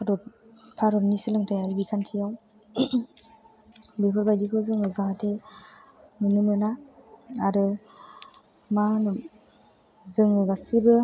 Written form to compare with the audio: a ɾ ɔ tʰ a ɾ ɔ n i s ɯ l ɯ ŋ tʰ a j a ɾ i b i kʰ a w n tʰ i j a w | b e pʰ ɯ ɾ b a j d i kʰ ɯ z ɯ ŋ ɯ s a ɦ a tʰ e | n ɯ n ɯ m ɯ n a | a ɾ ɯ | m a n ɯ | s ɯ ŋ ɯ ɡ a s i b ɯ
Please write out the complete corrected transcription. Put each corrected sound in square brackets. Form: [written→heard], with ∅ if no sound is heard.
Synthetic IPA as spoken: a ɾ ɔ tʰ a ɾ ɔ n i s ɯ l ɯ ŋ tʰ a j a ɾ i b i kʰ a [w→∅] n tʰ i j a w | b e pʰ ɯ ɾ b a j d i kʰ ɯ z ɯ ŋ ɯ [s→z] a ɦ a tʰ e | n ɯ n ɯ m ɯ n a | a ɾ ɯ | m a n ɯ | [s→z] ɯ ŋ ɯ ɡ a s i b ɯ